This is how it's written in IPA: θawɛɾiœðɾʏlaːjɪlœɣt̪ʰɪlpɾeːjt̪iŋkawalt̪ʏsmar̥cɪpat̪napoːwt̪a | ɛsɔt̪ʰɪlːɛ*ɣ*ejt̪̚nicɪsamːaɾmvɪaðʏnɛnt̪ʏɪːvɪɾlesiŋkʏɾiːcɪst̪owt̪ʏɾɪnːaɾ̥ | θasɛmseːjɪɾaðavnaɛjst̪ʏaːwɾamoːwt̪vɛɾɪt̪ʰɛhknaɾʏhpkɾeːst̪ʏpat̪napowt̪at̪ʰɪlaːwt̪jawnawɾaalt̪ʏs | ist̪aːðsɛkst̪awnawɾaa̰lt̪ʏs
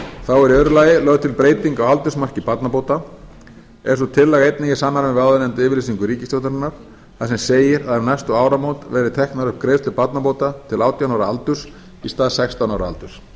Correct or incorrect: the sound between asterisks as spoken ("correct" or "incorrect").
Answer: correct